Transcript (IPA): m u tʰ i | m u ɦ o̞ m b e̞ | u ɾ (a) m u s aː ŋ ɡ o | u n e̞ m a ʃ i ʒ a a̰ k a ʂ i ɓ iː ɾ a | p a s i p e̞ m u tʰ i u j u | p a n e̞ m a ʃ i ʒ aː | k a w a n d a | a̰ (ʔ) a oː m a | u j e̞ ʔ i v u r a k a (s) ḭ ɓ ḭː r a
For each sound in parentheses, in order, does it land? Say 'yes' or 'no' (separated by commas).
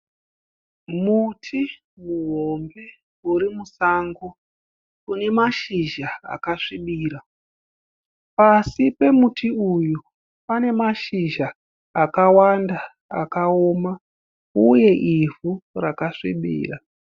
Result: no, no, no